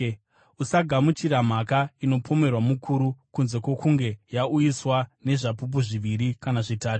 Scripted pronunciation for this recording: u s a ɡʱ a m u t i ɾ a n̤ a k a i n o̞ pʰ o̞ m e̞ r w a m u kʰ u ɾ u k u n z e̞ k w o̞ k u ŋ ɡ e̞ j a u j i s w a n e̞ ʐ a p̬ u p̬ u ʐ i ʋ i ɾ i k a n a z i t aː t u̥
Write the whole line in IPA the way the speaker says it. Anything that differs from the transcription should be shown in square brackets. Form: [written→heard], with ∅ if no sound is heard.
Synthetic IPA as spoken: u s a ɡʱ a m u [t→t͡ʃ] i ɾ a [n̤→m̤] a k a i n o̞ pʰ o̞ m e̞ r w a m u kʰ u ɾ u k u n z e̞ k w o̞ k u ŋ ɡ e̞ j a u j i s w a n e̞ ʐ a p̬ u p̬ u ʐ i ʋ i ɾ i k a n a [z→ʐ] i t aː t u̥